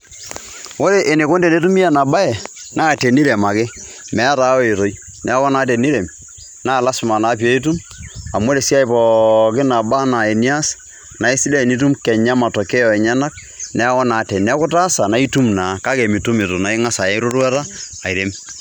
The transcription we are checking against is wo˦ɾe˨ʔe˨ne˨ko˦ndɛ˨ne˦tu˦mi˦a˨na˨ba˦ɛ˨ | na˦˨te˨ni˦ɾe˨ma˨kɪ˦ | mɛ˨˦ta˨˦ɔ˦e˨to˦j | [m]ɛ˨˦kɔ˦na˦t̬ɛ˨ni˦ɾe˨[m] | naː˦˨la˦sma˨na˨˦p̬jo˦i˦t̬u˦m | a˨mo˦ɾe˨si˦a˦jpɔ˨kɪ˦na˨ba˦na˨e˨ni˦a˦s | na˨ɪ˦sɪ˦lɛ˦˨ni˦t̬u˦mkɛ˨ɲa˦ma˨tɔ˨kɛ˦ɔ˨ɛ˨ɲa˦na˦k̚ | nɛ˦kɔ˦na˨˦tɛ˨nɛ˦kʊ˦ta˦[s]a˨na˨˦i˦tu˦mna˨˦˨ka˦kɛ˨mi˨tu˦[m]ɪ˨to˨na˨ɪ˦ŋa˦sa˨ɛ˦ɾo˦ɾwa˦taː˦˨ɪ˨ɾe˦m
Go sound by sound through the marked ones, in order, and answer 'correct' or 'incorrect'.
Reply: incorrect: n, correct, correct, correct

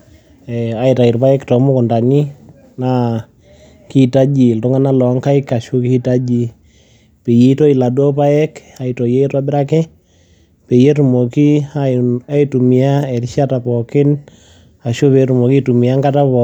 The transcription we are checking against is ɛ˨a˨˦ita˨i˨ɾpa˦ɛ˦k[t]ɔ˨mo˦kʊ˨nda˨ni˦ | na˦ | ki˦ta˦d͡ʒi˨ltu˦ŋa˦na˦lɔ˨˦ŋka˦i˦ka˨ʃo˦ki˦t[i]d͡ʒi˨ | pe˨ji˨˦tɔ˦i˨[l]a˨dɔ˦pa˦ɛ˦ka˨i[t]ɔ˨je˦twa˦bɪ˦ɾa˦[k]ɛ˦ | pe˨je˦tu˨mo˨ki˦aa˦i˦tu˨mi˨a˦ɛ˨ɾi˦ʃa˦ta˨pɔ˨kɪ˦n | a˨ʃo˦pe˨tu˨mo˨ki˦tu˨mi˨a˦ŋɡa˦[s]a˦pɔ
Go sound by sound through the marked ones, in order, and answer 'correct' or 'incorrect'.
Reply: correct, incorrect: a, correct, correct, correct, incorrect: t

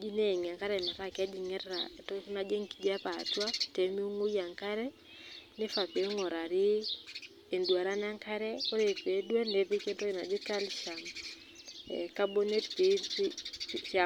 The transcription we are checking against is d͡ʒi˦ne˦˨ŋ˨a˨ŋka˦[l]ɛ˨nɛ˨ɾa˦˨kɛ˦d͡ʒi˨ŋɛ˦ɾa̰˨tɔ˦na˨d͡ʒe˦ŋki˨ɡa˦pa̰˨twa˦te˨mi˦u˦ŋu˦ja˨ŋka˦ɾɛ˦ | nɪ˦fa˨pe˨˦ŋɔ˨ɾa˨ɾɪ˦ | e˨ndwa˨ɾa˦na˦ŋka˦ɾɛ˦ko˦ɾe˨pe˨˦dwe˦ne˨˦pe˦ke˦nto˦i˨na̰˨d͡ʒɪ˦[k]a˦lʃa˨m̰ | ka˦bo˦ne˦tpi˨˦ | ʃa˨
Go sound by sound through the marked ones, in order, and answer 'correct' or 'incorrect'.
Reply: incorrect: ɾ, correct

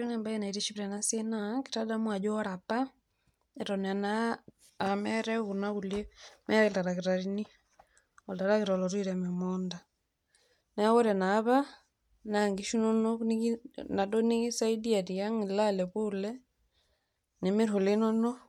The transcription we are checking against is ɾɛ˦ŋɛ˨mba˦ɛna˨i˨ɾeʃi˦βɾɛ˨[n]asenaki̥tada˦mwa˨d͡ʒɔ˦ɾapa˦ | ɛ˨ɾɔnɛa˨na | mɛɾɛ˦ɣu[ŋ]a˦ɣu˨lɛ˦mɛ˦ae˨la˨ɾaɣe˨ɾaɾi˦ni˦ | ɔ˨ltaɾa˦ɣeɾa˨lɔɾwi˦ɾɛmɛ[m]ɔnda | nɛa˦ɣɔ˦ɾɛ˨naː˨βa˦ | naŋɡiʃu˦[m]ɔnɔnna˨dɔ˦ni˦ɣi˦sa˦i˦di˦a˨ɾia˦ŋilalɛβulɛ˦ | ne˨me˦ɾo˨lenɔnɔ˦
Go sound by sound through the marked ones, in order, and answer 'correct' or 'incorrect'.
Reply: correct, incorrect: n, correct, incorrect: n

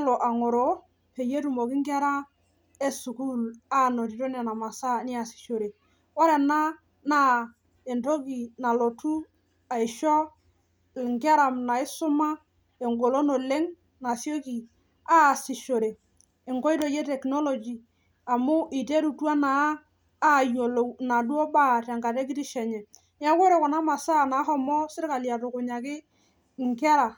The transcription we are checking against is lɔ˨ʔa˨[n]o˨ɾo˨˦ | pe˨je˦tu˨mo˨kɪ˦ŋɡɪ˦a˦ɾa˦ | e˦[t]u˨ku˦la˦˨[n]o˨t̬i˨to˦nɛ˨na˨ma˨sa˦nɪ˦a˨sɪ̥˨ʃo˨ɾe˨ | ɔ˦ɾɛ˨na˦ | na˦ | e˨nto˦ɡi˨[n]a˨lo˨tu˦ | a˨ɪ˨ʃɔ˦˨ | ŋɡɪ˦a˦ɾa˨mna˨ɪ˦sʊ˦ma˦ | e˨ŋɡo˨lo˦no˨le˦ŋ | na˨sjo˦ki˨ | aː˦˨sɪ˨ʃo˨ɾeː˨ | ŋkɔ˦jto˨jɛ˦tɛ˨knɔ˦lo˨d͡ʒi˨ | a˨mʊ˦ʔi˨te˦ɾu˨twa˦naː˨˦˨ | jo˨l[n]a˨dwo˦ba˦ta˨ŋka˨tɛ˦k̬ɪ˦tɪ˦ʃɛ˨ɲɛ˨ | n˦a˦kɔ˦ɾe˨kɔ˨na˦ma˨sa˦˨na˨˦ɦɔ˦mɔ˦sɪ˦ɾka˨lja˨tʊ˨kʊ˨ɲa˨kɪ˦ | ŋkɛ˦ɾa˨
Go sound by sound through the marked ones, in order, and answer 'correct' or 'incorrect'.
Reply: incorrect: ŋ, incorrect: s, correct, correct, correct

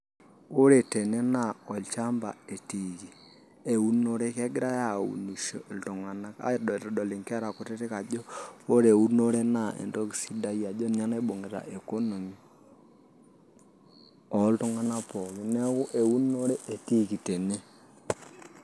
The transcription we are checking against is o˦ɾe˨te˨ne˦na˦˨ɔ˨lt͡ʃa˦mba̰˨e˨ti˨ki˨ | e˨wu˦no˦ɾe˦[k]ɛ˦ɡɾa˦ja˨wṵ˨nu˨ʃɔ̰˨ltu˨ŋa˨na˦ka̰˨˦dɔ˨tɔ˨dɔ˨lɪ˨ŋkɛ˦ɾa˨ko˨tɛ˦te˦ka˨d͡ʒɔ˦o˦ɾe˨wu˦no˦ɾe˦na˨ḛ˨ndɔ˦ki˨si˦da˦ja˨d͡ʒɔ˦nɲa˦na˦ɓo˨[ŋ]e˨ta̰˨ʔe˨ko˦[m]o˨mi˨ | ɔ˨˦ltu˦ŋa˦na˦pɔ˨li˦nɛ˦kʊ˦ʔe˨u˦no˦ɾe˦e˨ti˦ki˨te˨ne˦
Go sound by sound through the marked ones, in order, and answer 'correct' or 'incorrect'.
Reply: correct, correct, incorrect: n

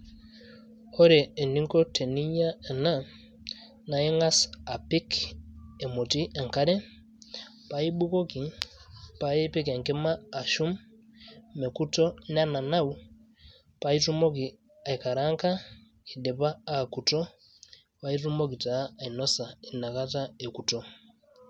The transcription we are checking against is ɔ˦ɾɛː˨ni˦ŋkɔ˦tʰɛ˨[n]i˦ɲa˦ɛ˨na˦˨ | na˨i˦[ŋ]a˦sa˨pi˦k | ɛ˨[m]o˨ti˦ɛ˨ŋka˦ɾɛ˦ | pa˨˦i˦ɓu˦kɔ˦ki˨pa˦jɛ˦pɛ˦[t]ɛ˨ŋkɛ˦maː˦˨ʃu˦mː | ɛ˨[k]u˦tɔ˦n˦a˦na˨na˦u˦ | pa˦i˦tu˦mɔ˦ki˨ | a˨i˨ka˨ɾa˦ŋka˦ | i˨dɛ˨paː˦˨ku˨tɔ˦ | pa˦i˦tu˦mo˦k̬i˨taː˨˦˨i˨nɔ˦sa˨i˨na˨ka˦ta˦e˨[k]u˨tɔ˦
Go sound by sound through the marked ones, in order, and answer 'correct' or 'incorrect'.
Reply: correct, correct, correct, incorrect: k, correct, correct

